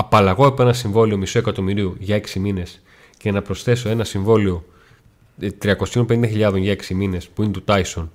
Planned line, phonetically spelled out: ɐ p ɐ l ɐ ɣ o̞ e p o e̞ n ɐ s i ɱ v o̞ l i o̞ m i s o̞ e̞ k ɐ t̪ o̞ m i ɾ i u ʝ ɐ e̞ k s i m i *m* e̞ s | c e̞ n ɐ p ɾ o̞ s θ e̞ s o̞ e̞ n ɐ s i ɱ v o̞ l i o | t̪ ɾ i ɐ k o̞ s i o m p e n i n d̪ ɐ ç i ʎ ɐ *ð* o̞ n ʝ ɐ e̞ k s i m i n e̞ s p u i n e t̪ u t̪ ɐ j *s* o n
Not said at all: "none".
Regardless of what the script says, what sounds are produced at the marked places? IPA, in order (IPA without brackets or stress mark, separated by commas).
n, ð, s